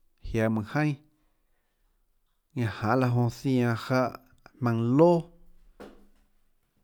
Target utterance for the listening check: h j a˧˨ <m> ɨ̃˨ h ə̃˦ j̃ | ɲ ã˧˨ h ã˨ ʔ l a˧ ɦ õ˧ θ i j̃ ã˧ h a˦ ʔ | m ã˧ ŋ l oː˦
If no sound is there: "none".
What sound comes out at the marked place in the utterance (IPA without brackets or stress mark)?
m